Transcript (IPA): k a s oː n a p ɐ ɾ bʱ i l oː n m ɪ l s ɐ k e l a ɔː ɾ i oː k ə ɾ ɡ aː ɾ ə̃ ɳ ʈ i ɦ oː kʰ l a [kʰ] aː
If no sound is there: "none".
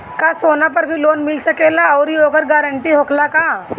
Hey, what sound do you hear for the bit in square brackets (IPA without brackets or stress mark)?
k